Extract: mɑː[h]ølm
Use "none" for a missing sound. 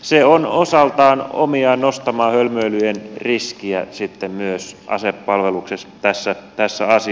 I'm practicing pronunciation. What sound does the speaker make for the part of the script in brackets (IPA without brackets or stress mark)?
h